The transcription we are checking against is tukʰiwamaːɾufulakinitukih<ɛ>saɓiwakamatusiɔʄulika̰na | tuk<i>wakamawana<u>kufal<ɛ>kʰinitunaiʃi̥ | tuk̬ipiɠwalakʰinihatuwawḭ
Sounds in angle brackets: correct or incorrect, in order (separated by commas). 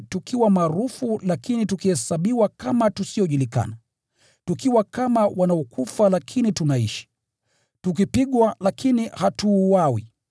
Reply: correct, correct, incorrect, incorrect